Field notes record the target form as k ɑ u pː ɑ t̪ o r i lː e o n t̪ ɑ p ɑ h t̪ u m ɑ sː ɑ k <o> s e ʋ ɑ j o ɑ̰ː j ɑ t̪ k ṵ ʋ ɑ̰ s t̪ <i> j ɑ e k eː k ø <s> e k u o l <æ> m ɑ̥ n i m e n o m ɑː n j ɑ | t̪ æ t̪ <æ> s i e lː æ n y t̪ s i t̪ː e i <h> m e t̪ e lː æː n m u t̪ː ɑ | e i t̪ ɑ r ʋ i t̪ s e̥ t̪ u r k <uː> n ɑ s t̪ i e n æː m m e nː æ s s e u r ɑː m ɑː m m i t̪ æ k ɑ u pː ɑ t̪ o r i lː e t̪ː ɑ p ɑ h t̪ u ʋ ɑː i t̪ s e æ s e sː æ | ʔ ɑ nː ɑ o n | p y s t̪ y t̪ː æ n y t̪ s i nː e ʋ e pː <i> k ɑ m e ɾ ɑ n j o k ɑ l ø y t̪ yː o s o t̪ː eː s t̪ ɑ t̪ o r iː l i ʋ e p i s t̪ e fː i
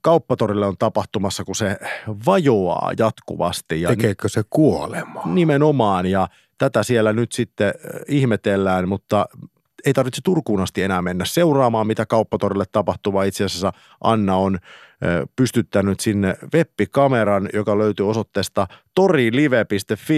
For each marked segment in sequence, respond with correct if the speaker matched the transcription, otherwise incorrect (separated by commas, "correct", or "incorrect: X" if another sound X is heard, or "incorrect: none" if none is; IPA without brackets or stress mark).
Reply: incorrect: u, correct, correct, incorrect: e, correct, correct, correct, correct